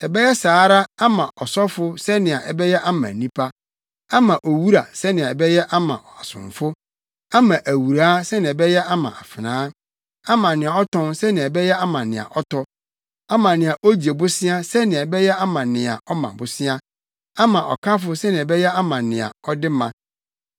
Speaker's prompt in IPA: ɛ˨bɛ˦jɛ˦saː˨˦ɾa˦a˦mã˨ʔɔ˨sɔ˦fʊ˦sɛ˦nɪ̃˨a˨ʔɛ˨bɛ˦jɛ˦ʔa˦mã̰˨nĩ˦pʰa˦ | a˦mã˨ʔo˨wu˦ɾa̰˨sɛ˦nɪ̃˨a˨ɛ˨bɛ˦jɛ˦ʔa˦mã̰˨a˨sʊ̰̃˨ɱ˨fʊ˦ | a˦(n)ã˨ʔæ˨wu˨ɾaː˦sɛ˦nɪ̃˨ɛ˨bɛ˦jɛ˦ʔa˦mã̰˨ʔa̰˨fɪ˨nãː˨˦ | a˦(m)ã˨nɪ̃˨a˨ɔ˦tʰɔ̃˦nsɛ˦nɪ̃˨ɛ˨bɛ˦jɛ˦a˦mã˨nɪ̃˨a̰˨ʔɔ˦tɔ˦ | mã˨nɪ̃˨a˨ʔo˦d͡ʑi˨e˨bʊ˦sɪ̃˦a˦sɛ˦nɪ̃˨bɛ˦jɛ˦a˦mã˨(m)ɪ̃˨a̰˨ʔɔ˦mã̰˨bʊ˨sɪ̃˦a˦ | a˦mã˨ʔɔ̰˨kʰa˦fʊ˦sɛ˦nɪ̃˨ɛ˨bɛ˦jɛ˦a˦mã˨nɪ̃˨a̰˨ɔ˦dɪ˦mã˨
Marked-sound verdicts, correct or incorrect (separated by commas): incorrect, correct, incorrect